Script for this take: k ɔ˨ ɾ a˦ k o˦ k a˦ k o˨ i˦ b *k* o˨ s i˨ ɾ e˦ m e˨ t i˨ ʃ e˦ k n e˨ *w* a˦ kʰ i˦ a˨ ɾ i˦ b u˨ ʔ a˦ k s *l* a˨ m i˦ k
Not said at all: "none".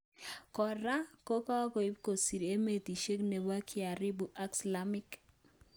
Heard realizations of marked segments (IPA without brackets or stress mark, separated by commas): k, w, l